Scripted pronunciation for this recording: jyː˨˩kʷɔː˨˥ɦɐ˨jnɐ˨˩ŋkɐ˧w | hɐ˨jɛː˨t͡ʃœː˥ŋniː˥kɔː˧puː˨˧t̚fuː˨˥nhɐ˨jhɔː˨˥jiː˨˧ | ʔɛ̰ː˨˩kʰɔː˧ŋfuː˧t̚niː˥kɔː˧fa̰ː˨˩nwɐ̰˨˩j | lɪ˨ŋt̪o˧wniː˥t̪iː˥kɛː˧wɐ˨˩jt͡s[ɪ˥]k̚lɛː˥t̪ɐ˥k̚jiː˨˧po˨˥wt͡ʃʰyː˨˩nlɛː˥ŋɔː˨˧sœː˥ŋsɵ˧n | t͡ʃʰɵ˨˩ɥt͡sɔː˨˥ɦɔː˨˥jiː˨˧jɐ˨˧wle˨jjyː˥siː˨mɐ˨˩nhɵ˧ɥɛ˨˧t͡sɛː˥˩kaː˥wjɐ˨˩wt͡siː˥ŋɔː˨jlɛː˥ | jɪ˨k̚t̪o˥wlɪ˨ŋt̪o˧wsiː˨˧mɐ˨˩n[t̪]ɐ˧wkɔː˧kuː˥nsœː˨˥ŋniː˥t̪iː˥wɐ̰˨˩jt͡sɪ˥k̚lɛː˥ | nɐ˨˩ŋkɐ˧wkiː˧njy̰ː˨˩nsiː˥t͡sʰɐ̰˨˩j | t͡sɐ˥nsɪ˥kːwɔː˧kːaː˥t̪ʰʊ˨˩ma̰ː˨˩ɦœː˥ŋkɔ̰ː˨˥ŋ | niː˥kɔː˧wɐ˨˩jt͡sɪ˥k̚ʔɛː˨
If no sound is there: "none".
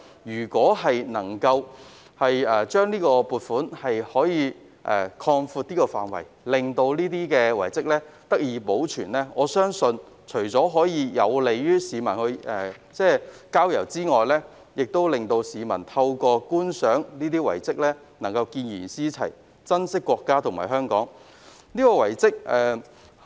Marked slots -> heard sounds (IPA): ɪ˥, t̪ʰ

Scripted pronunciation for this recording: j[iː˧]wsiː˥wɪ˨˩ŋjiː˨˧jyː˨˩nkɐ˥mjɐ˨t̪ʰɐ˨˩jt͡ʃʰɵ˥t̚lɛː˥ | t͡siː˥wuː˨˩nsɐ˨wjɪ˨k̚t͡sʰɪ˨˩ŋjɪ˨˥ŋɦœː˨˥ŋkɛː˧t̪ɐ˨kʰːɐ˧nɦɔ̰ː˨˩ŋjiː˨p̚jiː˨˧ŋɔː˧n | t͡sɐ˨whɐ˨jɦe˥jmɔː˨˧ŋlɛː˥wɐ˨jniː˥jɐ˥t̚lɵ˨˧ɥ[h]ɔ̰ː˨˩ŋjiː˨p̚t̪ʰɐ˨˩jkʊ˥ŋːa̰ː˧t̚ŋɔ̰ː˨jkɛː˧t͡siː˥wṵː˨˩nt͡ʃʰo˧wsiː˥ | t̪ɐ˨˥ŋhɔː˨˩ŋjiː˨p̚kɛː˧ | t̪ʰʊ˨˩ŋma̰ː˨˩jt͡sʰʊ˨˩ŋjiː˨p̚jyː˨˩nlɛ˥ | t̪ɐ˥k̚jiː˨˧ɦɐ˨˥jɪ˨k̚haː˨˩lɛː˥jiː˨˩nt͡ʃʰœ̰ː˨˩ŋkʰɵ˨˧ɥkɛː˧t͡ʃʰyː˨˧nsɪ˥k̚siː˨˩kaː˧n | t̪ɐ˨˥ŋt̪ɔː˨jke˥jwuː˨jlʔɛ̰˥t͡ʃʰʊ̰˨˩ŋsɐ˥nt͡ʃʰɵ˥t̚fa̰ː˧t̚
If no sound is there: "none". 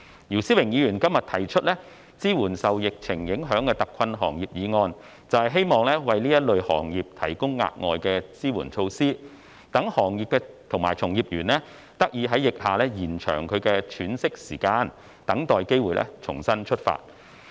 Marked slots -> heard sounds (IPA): iː˨˩, h

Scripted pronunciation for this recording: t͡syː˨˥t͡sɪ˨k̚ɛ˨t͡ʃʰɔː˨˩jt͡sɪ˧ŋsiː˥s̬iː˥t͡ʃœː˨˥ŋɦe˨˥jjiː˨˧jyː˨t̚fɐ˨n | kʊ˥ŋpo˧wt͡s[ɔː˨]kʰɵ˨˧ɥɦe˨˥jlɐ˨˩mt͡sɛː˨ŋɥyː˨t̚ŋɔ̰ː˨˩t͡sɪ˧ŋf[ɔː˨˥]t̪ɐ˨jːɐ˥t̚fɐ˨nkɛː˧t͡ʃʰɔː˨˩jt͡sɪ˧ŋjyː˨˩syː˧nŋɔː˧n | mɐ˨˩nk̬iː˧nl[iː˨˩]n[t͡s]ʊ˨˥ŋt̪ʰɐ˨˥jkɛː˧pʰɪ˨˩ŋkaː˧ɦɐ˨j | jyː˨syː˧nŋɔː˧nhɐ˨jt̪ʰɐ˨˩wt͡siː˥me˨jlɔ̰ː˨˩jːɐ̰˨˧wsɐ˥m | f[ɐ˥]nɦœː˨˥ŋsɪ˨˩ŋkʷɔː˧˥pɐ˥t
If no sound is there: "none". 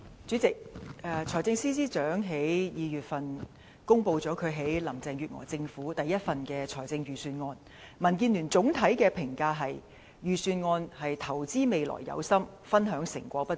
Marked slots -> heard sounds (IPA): ɔː˨˥, uː˨˥, yː˨˩, t͡s, ɐ˥

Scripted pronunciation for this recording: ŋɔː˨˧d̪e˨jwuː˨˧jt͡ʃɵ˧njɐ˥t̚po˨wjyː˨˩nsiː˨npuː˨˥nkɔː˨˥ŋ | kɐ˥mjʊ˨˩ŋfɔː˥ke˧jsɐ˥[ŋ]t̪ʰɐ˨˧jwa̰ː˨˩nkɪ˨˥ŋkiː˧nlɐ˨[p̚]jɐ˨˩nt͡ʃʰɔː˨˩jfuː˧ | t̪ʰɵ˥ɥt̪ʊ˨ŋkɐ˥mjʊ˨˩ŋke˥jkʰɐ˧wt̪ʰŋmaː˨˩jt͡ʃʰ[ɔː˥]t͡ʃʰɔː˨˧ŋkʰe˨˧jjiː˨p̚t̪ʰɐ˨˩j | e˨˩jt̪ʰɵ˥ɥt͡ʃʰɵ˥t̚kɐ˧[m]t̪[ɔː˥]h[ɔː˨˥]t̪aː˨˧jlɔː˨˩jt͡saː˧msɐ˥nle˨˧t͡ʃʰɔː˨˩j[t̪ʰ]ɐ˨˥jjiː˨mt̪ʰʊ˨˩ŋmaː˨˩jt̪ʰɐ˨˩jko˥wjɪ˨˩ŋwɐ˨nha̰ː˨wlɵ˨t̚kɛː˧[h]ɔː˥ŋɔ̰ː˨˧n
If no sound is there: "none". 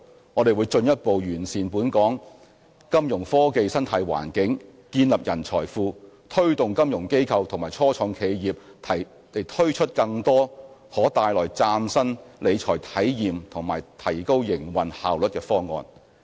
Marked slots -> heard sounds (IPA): n, p̚, ɔː˥, ŋ, ɔː˥, ɔː˨˥, t̪ʰ, f

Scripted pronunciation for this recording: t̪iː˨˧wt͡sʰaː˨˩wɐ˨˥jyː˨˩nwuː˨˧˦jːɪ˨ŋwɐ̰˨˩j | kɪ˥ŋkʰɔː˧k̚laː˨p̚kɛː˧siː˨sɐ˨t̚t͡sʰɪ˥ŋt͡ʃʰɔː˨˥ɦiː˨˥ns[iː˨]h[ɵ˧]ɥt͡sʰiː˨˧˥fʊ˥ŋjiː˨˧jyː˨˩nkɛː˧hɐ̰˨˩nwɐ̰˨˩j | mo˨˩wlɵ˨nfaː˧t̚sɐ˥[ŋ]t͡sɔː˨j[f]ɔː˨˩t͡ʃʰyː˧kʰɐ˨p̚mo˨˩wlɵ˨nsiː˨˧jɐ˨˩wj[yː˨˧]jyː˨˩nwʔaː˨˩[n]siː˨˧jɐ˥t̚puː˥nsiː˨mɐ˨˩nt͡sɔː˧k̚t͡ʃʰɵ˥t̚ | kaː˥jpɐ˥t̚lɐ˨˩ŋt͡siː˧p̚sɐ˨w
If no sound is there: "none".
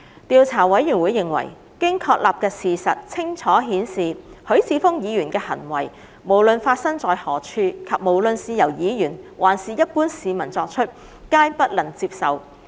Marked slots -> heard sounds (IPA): iː˨, ɵ˨˥, ŋ, h, iː˨˧, n

